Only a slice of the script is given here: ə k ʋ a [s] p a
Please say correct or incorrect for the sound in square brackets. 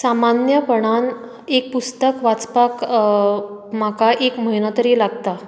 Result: incorrect